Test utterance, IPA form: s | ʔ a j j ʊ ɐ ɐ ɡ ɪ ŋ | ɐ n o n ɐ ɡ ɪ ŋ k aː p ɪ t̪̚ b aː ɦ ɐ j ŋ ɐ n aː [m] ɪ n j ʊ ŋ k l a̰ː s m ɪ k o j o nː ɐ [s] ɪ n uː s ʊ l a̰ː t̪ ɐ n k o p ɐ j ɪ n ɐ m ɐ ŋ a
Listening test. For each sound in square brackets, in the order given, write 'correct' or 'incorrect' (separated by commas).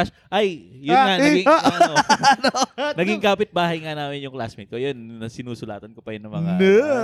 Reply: correct, correct